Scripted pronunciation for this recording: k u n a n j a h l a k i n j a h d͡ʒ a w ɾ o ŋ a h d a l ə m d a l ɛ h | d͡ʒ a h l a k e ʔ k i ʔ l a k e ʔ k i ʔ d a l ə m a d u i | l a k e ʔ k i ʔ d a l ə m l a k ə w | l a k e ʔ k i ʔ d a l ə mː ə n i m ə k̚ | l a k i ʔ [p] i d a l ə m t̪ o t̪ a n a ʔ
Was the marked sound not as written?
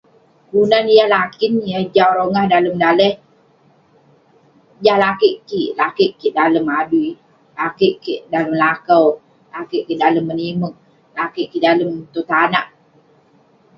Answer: yes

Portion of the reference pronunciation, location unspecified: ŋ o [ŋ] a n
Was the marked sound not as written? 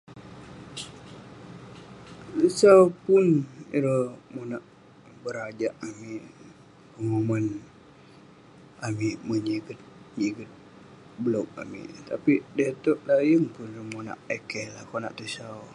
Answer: yes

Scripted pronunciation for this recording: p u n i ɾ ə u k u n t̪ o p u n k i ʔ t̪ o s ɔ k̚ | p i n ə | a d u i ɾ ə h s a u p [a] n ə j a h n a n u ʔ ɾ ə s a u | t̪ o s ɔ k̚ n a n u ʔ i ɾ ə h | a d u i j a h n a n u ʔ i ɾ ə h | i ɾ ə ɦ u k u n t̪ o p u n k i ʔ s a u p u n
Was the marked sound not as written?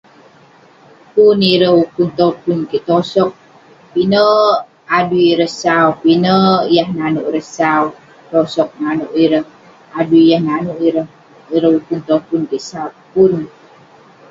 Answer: yes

